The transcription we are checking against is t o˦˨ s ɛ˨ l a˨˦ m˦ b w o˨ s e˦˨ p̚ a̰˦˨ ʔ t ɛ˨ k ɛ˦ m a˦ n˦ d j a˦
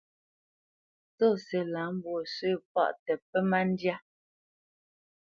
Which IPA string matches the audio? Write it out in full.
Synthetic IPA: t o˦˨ s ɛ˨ l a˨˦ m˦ b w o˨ s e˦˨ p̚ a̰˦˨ ʔ t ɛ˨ p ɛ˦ m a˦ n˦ d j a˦